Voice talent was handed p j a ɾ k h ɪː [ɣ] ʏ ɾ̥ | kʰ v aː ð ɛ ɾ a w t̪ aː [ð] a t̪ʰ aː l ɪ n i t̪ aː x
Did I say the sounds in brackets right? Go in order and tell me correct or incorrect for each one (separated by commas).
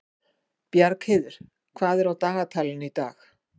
incorrect, incorrect